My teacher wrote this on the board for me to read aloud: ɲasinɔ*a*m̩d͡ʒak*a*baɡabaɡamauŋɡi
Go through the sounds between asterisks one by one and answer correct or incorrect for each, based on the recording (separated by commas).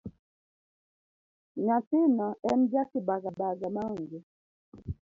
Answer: incorrect, incorrect